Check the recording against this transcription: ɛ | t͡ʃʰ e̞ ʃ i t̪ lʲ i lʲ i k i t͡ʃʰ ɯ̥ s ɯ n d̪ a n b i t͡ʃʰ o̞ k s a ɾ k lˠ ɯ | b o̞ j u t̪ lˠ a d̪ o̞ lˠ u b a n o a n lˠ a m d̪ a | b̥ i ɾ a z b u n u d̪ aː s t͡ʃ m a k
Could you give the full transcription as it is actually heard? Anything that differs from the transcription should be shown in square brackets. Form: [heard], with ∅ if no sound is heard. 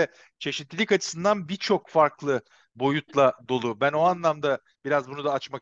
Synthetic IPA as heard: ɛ | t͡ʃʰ e̞ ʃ i t̪ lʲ i lʲ i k [a] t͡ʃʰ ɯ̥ s ɯ n d̪ a n b i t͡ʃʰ o̞ k [f] a ɾ k lˠ ɯ | b o̞ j u t̪ lˠ a d̪ o̞ lˠ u b [æ] n o a n lˠ a m d̪ a | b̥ i ɾ a z b u n u d̪ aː [∅] t͡ʃ m a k